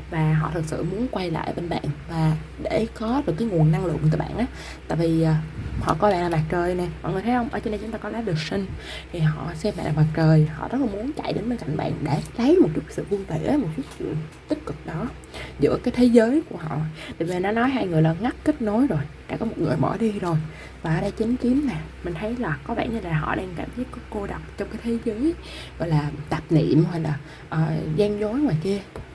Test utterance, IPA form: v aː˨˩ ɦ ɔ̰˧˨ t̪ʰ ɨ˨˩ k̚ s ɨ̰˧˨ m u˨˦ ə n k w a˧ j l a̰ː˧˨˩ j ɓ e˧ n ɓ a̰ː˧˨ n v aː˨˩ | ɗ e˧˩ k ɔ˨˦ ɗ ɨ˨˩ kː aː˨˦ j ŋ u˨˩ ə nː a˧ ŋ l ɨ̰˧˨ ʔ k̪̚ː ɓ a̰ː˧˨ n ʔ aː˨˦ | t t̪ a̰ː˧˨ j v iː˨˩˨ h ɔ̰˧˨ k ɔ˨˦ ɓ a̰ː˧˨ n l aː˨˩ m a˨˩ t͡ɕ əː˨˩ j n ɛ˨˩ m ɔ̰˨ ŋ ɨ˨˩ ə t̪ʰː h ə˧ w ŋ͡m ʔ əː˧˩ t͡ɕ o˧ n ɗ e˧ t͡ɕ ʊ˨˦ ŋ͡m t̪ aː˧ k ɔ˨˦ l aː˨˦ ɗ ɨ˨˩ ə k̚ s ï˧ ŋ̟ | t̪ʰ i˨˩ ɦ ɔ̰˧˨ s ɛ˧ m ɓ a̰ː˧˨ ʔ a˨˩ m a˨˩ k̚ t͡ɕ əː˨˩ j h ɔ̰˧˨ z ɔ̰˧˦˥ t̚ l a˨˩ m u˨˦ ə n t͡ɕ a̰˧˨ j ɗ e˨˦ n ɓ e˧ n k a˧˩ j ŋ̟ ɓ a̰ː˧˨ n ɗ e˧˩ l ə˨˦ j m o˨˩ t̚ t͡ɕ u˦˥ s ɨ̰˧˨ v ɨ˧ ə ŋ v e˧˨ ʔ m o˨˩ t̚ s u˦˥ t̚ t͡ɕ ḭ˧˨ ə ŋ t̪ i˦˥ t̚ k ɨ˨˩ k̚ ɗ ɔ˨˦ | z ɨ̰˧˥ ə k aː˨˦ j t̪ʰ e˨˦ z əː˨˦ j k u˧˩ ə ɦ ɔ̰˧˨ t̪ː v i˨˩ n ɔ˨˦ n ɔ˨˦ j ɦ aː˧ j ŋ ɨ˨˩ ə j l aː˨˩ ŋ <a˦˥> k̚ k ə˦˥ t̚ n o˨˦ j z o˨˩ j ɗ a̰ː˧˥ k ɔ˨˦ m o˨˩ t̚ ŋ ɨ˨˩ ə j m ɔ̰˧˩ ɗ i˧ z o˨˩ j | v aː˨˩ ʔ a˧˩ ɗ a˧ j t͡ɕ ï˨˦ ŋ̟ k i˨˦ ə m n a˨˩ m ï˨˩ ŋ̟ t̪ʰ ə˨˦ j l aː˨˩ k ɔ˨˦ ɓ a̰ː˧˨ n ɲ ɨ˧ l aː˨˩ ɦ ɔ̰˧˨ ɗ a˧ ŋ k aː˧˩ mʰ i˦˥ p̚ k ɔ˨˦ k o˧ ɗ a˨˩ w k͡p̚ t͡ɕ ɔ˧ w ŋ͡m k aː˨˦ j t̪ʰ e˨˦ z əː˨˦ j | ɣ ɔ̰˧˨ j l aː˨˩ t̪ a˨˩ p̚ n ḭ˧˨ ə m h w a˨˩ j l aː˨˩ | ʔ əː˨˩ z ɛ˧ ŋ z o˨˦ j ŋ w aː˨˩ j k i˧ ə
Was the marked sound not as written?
no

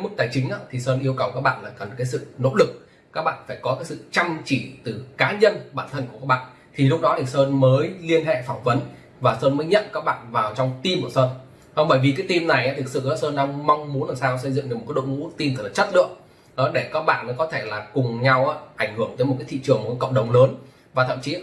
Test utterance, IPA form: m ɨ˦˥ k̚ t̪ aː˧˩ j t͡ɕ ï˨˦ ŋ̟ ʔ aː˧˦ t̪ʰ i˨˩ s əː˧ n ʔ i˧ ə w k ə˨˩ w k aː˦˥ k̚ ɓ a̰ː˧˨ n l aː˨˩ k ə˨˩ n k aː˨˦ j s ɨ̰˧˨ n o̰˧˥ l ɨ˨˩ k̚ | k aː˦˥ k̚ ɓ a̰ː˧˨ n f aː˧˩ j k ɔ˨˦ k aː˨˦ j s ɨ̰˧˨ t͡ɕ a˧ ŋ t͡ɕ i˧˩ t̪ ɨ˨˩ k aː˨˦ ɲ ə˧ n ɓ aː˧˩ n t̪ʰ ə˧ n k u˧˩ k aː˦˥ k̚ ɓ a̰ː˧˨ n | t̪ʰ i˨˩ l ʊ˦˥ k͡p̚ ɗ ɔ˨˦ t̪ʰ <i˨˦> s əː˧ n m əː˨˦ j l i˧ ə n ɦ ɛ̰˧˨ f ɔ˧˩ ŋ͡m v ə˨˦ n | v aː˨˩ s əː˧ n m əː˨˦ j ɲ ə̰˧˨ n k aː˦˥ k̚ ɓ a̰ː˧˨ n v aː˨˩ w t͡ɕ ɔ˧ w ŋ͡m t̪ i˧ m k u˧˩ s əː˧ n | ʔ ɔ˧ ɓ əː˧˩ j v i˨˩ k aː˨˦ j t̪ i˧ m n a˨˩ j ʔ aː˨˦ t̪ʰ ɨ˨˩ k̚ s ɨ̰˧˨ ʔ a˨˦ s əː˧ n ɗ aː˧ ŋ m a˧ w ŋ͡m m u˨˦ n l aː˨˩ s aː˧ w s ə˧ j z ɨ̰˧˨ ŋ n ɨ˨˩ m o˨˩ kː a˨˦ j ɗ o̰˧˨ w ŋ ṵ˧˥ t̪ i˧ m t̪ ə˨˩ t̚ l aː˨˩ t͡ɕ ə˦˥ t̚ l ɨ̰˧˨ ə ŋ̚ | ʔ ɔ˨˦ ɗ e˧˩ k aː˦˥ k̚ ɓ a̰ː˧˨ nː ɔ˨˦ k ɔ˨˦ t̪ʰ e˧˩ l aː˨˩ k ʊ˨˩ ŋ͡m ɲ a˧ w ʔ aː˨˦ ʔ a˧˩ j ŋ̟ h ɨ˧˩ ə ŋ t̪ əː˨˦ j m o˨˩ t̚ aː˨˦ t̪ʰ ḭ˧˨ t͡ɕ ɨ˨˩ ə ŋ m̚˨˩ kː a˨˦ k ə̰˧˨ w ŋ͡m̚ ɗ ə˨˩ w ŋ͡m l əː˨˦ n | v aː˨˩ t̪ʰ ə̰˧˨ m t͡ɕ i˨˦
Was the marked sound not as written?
yes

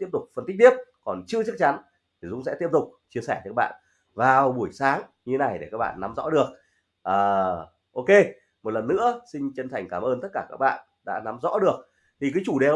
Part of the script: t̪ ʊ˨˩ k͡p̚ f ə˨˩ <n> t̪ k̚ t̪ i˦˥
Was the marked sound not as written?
no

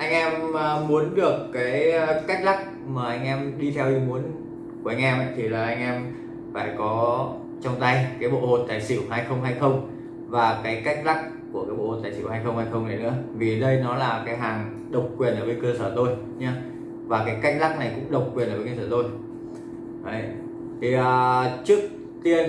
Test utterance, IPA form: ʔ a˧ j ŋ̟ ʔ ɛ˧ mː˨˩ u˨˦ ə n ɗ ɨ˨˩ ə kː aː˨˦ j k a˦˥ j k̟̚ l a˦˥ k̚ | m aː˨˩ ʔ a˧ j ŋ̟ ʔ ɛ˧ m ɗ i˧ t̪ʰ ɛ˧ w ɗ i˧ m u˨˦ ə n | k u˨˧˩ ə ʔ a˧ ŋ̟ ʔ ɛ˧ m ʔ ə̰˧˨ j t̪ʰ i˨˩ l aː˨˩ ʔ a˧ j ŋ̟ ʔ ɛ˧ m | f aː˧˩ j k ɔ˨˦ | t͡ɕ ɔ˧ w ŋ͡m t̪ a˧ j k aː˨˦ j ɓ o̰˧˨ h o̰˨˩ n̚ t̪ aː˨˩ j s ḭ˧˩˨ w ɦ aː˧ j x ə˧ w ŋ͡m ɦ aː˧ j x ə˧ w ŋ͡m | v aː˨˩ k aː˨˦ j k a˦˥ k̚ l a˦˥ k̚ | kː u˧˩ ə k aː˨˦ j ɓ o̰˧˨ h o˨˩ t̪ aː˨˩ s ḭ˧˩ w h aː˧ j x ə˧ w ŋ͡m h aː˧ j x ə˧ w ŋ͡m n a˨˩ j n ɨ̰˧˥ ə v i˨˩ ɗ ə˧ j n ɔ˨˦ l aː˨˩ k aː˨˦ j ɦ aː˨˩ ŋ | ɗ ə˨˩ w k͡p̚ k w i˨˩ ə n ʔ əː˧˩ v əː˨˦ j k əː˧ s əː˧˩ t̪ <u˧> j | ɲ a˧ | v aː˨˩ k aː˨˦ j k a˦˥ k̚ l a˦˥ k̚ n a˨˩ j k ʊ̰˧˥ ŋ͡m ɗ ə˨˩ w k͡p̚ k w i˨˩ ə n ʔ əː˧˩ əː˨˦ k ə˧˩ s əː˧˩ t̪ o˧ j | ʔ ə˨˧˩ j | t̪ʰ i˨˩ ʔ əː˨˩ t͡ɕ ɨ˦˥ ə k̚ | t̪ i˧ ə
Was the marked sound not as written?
yes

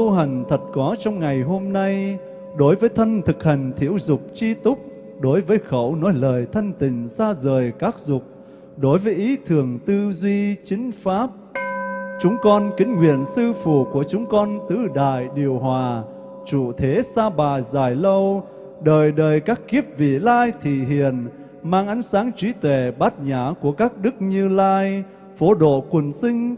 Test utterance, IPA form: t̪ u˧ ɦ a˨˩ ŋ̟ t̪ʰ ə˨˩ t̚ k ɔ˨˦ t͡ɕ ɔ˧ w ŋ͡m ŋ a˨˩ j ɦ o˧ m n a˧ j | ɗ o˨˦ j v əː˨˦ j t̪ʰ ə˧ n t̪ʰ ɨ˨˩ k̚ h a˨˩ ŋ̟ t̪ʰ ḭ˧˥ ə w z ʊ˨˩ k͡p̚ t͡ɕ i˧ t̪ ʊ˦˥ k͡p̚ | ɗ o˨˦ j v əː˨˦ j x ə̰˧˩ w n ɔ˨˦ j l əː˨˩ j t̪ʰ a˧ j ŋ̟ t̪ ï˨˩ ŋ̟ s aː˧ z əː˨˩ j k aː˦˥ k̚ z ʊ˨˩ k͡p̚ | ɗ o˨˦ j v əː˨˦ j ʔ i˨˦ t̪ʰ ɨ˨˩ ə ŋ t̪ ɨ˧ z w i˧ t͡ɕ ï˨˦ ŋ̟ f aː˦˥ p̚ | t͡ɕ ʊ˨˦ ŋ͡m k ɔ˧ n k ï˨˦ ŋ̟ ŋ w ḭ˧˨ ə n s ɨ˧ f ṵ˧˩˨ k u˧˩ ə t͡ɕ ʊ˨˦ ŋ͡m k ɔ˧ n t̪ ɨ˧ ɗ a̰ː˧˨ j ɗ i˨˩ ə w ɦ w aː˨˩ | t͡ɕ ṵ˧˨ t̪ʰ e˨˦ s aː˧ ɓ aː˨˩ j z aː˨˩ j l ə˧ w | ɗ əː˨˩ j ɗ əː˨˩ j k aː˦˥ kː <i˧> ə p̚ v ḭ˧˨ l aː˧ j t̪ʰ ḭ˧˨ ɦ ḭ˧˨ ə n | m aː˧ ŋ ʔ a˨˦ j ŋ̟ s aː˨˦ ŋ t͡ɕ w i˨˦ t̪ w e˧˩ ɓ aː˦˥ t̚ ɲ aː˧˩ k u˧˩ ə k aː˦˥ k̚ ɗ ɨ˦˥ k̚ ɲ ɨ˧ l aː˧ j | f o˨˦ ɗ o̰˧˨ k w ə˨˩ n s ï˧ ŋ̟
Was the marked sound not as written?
yes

